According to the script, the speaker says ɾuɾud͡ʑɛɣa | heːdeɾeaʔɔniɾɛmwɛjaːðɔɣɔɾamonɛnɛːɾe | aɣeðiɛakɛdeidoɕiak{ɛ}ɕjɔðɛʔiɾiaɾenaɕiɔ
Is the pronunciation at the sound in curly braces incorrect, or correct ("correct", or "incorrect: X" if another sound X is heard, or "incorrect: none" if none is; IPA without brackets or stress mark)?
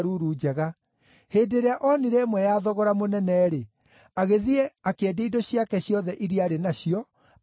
correct